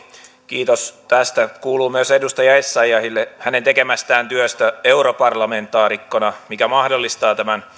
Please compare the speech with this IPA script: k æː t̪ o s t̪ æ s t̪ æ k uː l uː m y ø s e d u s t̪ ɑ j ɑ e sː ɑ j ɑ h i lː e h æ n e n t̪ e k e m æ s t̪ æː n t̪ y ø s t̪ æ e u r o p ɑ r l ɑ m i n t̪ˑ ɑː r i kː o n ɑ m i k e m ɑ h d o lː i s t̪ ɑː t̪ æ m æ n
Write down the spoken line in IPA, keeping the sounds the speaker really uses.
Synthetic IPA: k iː t̪ o s t̪ æ s t̪ æ k uː l uː m y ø s e d u s t̪ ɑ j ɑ e sː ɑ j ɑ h i lː e h æ n e n t̪ e k e m æ s t̪ æː n t̪ y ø s t̪ æ e u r o p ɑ r l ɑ m e n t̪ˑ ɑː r i kː o n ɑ m i k æ m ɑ h d o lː i s t̪ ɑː t̪ æ m æ n